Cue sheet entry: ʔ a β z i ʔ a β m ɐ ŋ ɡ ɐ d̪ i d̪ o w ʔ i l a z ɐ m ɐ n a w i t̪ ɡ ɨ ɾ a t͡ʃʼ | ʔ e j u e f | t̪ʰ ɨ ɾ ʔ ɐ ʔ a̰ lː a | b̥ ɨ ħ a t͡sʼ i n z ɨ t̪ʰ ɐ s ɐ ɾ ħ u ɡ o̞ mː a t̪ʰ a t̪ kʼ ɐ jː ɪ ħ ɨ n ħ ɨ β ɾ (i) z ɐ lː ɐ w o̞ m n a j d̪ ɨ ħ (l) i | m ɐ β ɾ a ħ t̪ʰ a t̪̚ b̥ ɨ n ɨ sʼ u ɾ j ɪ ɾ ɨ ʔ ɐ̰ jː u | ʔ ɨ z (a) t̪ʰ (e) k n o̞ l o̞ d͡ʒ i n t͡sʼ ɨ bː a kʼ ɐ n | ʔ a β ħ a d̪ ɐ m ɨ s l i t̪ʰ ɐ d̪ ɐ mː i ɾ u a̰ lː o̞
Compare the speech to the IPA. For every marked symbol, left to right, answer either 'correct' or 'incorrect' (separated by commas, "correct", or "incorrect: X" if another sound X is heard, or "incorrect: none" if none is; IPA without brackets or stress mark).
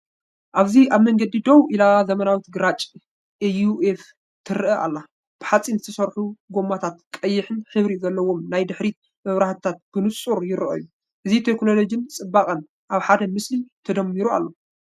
correct, incorrect: ɾ, incorrect: i, correct